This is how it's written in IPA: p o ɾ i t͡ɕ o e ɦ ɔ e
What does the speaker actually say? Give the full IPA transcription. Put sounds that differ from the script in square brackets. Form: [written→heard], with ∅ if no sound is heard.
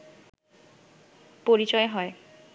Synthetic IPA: p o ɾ i t͡ɕ [o→ɔ] e ɦ ɔ e